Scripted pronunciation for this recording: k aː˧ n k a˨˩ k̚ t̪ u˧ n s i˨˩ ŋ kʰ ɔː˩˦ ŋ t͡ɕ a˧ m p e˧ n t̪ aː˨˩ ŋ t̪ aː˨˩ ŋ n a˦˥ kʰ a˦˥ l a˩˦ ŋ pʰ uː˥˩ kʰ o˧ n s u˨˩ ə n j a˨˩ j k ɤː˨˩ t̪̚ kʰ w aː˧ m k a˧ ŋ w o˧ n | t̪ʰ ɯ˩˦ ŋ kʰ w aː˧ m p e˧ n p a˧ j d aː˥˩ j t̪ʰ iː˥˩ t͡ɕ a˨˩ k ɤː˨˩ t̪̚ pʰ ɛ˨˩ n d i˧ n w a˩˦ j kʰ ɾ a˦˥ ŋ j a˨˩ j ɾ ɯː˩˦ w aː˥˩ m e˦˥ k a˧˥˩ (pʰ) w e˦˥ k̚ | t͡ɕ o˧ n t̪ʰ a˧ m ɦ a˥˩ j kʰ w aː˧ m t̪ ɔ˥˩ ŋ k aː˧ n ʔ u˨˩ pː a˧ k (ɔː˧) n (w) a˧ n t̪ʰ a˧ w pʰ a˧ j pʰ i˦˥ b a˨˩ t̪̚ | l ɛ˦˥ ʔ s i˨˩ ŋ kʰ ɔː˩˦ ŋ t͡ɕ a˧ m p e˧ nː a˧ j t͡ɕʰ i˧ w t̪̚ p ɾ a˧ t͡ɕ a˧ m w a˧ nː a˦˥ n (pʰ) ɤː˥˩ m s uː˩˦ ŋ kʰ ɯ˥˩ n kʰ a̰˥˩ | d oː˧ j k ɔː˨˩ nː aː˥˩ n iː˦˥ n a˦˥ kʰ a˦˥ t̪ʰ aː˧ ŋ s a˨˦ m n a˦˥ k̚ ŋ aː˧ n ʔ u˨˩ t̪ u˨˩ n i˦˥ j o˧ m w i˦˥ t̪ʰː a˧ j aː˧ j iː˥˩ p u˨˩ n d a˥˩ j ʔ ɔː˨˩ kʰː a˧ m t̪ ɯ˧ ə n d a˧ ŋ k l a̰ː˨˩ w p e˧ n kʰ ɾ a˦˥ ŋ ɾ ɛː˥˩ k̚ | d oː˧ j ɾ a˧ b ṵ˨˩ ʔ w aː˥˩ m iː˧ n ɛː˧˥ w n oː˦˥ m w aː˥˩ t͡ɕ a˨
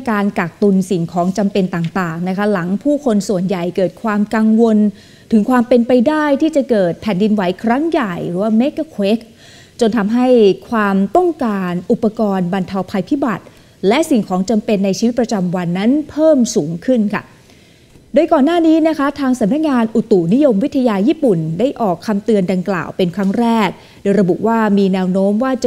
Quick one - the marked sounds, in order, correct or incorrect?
incorrect, correct, incorrect, correct

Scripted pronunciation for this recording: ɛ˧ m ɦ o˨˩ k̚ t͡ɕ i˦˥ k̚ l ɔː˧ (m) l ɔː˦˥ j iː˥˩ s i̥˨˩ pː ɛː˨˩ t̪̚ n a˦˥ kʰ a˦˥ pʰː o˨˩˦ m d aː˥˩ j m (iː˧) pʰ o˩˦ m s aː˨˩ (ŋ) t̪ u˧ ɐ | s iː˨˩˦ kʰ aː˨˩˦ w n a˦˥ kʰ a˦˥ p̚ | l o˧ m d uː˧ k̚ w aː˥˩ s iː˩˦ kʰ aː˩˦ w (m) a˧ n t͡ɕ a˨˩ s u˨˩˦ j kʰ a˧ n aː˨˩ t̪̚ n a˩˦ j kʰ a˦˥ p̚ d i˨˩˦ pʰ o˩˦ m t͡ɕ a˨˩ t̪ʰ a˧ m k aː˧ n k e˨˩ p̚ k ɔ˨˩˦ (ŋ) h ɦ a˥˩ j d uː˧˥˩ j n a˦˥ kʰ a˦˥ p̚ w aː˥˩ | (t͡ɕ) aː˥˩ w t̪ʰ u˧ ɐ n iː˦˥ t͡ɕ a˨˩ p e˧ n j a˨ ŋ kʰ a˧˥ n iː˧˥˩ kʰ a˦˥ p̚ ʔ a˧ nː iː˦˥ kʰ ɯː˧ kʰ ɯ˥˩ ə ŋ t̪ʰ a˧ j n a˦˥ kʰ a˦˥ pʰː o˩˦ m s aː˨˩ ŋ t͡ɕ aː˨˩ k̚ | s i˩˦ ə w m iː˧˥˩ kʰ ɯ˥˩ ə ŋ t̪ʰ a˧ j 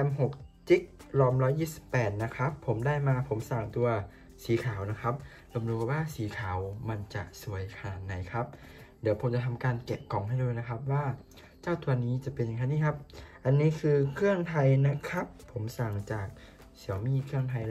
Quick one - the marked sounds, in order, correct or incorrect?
correct, incorrect, correct, correct, correct, correct

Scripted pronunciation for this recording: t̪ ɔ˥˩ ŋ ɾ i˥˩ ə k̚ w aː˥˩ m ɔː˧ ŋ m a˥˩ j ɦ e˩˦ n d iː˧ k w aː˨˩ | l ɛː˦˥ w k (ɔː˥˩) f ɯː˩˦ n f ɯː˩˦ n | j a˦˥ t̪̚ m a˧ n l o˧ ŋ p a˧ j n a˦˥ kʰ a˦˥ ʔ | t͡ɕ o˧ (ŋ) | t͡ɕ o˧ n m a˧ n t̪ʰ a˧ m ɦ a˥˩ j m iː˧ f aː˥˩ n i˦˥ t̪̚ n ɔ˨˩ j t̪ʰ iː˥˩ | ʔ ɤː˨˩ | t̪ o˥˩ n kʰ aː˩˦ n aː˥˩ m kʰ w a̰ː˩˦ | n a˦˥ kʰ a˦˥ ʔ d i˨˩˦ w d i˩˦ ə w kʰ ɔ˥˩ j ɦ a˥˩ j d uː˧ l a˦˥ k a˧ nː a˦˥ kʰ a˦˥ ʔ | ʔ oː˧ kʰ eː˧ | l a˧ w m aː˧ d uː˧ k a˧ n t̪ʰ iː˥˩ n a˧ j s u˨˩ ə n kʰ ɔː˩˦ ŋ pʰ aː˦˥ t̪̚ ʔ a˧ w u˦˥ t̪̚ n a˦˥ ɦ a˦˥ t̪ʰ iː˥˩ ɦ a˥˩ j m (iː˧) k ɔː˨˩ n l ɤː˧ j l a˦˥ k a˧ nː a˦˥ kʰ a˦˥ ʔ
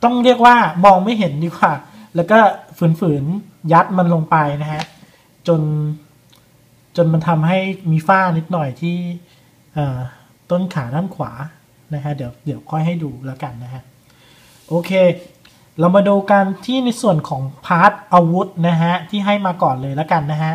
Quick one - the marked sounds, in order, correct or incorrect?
correct, incorrect, incorrect

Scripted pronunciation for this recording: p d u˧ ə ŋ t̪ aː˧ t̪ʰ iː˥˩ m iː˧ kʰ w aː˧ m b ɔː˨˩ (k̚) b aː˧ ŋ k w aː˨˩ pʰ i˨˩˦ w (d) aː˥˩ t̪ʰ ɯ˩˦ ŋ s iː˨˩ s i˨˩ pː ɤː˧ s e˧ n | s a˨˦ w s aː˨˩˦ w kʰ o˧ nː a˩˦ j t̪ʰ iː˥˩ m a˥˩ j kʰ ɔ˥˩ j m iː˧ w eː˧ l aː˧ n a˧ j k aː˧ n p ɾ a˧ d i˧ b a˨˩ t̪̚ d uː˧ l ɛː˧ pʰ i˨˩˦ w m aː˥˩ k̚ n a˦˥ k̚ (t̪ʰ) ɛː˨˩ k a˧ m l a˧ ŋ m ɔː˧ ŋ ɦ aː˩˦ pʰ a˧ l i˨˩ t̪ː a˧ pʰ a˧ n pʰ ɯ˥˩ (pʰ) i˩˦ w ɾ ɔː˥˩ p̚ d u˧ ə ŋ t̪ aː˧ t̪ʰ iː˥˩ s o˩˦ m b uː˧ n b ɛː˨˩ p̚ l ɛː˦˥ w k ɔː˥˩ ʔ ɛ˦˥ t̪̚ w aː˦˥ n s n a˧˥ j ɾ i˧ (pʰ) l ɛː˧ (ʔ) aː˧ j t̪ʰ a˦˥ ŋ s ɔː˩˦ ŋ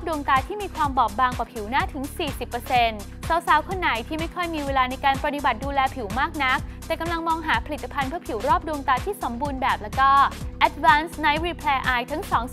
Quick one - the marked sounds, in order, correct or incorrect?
incorrect, incorrect, incorrect, correct, correct, correct

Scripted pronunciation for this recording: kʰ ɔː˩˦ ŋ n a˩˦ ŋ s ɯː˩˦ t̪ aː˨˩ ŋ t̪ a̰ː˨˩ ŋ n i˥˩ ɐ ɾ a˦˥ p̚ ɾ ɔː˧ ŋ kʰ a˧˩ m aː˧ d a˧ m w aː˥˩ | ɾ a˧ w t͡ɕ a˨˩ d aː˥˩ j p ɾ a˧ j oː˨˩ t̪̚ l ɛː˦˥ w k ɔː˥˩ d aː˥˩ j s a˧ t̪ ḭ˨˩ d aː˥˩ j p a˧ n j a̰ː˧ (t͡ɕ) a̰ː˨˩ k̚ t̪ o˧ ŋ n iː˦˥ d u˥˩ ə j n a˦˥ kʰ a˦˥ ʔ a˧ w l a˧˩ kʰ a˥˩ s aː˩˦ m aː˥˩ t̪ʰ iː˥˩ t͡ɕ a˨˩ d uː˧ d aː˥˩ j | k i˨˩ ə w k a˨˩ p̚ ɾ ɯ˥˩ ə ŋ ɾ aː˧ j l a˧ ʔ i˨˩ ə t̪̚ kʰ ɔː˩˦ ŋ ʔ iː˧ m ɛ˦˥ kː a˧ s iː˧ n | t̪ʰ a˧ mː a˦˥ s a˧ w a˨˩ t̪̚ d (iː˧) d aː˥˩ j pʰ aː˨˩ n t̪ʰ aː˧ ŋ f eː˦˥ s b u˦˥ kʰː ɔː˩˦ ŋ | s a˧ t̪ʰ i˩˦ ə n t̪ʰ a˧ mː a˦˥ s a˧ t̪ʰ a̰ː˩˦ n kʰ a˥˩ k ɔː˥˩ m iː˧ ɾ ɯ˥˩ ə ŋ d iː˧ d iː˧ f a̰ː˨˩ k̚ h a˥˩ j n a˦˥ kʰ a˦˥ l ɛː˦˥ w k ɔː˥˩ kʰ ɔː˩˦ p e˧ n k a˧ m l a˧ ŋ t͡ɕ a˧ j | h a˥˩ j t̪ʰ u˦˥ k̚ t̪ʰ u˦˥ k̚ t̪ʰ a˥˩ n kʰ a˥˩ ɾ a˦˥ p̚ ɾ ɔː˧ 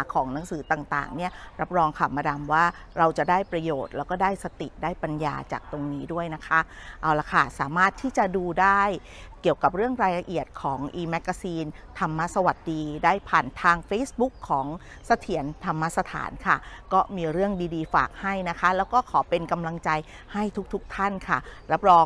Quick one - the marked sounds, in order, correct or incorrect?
correct, correct

